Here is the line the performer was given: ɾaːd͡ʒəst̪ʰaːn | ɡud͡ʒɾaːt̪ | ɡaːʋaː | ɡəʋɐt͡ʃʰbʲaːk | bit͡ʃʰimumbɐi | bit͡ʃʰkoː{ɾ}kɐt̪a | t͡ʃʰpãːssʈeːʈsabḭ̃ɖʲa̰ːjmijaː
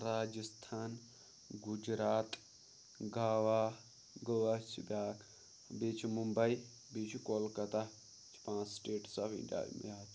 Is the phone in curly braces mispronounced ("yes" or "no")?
yes